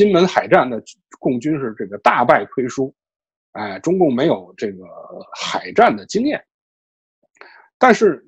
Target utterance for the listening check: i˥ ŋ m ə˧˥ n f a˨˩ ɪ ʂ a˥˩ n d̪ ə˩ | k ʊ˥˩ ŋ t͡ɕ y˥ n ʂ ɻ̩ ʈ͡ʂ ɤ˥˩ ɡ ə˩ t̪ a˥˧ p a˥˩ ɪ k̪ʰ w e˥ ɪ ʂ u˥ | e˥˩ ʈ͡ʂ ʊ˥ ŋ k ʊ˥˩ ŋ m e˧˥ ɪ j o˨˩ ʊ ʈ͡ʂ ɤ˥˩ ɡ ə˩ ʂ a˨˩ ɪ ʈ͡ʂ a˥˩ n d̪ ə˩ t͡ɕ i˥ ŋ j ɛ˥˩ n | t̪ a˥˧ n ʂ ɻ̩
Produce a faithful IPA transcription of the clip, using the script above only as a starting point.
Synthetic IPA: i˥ n m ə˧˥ n x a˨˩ ɪ ʈ͡ʂ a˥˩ n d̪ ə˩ | k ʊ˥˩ ŋ t͡ɕ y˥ n ʂ ɻ̩ ʈ͡ʂ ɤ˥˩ ɡ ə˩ t̪ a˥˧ p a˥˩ ɪ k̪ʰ w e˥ ɪ ʂ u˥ | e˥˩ ʈ͡ʂ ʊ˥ ŋ k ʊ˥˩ ŋ m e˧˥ ɪ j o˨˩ ʊ ʈ͡ʂ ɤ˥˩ ɡ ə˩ x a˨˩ ɪ ʈ͡ʂ a˥˩ n d̪ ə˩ t͡ɕ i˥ ŋ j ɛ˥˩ n | t̪ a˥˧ n ʂ ɻ̩